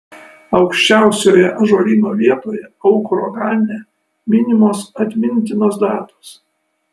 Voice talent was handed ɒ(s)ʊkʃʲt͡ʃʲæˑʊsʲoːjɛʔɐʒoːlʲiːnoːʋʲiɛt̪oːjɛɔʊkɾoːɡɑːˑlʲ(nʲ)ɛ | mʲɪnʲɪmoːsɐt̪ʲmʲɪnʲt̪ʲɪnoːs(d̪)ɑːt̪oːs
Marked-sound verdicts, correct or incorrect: incorrect, correct, correct

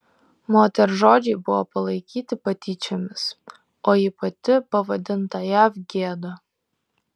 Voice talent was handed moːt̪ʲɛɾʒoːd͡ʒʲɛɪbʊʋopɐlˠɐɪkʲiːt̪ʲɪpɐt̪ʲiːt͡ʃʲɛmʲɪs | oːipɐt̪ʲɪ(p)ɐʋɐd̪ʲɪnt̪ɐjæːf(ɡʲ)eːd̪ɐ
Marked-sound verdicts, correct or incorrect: correct, correct

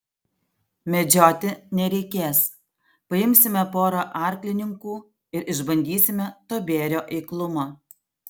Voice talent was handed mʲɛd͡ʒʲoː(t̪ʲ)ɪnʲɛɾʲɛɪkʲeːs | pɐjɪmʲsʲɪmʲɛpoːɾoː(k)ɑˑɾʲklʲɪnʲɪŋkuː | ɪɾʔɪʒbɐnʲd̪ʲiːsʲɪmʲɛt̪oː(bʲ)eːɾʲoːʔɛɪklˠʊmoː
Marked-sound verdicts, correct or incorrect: correct, incorrect, correct

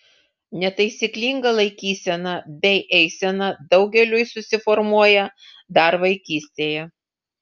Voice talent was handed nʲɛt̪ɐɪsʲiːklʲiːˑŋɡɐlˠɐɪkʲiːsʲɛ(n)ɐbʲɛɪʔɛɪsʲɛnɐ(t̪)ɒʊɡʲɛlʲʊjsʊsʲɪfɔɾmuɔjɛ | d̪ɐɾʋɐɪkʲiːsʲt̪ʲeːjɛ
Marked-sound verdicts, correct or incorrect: correct, incorrect

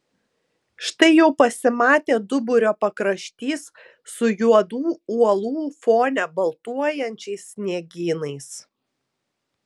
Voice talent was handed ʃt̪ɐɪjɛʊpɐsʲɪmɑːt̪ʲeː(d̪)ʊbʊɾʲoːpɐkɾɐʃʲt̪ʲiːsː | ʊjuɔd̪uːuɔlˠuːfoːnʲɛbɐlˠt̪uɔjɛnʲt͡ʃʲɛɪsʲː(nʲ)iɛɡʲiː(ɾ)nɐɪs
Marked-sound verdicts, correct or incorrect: correct, correct, incorrect

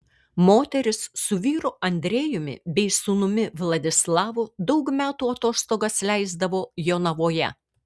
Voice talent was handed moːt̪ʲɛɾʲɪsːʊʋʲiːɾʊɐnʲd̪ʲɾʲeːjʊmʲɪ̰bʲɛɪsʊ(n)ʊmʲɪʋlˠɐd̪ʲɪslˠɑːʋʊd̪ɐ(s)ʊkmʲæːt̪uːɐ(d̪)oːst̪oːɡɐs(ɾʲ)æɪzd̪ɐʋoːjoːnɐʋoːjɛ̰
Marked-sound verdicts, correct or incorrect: correct, incorrect, incorrect, incorrect

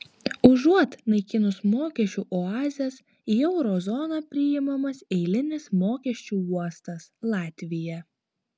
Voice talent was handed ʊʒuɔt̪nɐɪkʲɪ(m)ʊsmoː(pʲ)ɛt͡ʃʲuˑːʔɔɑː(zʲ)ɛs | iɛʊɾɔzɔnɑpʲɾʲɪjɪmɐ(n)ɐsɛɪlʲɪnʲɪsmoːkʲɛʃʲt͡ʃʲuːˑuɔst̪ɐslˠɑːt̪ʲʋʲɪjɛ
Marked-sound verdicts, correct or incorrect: incorrect, incorrect, correct, incorrect

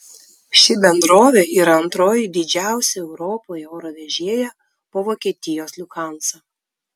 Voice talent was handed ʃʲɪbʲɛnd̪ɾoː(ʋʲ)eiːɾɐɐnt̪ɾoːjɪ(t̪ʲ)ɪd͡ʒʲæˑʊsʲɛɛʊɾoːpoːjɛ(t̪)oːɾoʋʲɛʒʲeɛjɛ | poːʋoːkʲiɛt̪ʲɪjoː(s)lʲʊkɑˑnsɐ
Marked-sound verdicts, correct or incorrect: correct, incorrect, incorrect, correct

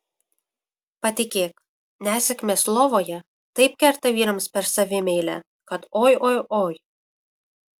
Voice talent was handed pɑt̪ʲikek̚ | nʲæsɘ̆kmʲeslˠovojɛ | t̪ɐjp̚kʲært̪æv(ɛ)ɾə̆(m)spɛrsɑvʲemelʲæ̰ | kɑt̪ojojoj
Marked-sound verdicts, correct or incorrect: incorrect, correct

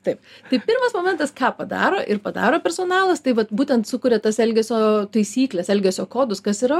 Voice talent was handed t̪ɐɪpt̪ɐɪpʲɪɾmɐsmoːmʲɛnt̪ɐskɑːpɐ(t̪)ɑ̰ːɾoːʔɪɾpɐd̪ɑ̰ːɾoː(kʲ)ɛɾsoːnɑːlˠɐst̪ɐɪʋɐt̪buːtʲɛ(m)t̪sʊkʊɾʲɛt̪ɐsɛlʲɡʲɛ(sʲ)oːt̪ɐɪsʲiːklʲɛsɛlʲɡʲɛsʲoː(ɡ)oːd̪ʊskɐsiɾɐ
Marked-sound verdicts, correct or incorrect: incorrect, incorrect, incorrect, correct, incorrect

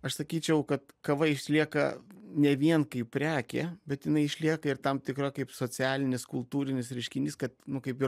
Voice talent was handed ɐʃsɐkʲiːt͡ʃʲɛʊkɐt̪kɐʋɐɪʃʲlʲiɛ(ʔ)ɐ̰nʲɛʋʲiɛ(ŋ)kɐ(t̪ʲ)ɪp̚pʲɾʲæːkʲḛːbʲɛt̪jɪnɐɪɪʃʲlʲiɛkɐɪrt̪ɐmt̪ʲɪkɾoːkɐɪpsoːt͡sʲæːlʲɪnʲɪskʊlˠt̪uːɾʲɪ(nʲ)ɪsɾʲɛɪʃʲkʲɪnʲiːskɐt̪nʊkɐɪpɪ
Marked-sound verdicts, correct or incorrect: incorrect, incorrect, incorrect, correct

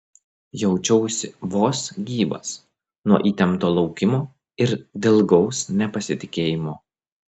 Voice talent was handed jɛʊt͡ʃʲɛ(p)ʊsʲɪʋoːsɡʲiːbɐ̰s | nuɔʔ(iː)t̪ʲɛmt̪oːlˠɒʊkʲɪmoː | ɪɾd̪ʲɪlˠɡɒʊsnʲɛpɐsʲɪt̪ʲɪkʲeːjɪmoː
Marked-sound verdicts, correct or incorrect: incorrect, correct

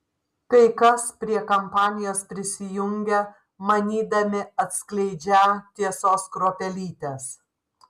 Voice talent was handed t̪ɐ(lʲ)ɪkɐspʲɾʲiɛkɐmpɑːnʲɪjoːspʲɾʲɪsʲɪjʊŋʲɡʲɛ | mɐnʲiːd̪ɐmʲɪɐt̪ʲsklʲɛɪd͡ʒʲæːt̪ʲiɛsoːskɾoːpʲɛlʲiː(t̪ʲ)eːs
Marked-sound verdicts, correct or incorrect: incorrect, correct

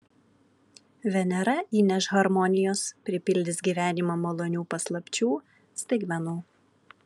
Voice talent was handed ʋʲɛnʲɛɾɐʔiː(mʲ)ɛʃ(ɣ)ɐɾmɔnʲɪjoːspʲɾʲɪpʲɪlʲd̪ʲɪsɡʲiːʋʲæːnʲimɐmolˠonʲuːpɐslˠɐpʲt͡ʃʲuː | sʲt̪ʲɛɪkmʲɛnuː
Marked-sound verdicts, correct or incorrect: incorrect, correct

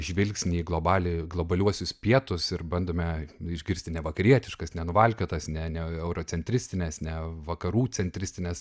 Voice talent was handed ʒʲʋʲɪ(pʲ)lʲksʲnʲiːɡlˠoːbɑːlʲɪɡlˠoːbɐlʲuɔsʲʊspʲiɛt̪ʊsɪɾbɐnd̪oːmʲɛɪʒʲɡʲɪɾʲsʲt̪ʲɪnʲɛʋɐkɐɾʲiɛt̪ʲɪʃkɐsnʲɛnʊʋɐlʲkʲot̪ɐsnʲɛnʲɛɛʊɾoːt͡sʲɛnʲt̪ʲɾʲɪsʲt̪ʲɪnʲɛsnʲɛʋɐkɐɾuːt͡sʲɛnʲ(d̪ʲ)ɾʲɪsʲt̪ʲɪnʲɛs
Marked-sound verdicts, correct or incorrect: incorrect, incorrect

